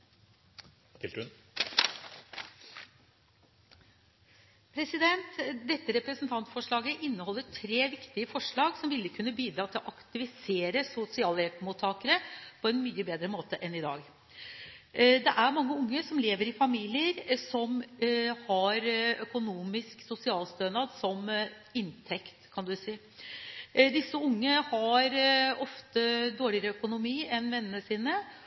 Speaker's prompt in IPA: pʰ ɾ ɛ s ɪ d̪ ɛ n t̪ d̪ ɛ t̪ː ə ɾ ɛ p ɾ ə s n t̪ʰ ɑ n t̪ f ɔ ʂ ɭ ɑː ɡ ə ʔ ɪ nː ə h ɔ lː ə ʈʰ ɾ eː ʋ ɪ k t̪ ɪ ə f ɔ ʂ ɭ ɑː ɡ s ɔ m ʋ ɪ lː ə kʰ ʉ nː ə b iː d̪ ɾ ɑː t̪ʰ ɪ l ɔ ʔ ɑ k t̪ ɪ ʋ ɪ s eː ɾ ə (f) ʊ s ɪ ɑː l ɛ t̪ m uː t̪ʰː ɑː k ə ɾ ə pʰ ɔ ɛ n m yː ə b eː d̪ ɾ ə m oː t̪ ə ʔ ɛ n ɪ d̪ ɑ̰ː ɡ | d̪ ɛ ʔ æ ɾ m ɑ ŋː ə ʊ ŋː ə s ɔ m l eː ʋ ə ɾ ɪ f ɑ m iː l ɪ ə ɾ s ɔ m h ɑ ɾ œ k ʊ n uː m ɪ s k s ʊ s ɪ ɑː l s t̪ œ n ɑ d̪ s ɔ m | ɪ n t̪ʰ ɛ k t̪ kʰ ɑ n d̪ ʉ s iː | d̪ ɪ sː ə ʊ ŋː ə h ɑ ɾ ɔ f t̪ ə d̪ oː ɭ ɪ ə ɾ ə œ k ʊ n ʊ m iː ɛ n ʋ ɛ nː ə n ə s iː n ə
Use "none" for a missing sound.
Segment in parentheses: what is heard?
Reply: s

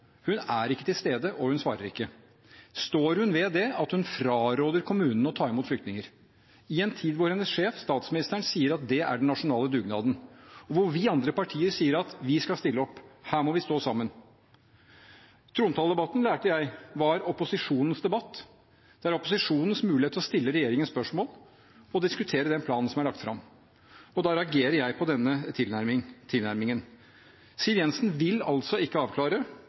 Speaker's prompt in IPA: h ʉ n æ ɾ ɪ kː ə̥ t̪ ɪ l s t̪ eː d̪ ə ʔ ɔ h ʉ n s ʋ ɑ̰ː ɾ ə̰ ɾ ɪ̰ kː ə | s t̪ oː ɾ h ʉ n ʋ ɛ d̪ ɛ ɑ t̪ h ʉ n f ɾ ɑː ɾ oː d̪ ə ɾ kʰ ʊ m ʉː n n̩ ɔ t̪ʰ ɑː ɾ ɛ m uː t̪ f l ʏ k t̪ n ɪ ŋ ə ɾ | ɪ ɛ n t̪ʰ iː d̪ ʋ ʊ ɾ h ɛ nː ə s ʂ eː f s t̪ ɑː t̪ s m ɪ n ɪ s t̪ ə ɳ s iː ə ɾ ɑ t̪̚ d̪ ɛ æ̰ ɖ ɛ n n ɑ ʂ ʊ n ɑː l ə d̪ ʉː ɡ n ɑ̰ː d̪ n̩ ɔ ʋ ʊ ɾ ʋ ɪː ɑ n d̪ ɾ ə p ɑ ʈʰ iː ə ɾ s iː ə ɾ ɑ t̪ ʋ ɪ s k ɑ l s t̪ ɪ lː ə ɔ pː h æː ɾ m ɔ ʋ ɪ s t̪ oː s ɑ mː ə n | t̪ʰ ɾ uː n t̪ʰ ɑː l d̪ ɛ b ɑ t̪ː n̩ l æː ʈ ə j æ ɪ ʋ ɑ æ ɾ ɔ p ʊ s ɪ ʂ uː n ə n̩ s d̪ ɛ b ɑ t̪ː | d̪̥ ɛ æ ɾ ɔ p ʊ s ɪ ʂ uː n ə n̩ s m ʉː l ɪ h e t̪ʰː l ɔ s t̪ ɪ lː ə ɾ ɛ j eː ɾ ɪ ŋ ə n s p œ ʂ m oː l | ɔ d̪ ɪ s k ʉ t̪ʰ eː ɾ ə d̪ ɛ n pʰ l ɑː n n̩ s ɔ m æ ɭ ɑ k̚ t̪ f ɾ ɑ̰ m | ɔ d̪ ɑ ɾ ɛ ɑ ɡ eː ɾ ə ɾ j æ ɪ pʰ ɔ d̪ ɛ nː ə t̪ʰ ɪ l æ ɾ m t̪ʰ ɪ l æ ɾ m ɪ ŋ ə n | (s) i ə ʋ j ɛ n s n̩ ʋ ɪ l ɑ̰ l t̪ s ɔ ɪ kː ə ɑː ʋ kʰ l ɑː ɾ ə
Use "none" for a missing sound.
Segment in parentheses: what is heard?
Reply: s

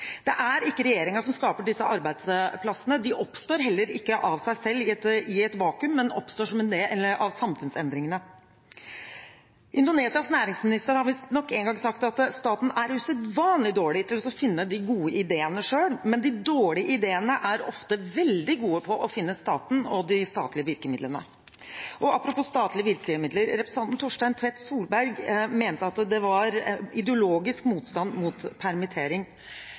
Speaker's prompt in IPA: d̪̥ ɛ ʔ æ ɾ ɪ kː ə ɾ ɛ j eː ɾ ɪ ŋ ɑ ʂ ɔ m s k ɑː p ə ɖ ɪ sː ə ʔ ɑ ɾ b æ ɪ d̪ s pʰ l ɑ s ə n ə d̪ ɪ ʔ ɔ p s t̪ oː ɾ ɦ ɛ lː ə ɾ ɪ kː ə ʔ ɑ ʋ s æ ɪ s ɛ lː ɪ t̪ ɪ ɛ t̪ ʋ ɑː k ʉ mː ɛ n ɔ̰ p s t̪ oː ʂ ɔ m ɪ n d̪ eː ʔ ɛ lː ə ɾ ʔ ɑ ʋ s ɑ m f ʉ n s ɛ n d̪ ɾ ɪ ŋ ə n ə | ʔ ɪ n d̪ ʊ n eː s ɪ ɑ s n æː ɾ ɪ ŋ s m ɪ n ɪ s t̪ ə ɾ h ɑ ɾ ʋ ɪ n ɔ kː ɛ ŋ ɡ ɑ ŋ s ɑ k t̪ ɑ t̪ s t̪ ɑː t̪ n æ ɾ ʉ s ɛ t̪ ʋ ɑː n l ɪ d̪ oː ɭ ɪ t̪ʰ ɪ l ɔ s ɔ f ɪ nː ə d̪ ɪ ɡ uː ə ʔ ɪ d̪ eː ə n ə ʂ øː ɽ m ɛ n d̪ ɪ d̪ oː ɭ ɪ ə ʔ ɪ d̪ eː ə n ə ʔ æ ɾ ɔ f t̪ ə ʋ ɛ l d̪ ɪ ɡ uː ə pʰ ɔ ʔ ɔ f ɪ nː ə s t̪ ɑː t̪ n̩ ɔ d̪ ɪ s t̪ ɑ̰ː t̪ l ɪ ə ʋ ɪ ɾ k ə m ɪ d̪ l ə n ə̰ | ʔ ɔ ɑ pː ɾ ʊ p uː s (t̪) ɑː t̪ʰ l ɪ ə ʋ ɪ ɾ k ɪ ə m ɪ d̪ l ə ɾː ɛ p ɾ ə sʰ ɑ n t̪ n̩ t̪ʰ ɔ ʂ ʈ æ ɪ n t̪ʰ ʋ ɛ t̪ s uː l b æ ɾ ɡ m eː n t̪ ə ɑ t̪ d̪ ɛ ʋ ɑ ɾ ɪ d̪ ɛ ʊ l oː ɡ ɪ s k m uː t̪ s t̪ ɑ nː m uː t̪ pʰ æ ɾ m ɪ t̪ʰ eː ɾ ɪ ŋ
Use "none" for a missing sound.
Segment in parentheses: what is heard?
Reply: t̪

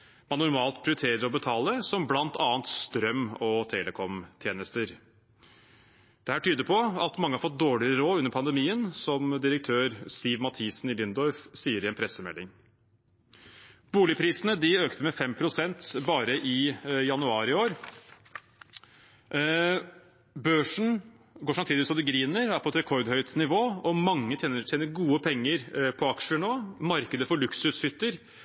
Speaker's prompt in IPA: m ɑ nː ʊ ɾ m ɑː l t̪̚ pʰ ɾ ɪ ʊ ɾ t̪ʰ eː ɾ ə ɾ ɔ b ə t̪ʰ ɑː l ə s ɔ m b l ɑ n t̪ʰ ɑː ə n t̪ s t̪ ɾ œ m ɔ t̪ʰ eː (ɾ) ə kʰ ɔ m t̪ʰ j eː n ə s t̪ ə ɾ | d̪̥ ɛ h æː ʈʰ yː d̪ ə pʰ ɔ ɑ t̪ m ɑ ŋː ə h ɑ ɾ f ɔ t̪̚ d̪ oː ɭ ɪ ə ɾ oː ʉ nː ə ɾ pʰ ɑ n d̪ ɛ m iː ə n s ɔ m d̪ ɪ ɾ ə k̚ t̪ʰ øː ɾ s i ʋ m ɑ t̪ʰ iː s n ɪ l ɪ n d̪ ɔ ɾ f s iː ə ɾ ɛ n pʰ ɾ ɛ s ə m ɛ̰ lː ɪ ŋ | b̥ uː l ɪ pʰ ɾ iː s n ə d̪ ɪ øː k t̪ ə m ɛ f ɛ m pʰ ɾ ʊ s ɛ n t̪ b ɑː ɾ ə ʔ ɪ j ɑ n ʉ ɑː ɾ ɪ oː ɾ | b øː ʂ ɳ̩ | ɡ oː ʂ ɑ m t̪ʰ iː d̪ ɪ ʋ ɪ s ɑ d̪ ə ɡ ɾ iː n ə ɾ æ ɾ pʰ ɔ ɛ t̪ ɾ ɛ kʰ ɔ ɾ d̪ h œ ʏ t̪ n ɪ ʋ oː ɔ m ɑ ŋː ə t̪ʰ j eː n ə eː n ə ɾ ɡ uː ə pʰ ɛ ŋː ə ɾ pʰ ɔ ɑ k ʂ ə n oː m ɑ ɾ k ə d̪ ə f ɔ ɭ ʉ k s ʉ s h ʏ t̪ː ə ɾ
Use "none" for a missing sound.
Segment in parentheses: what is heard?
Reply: l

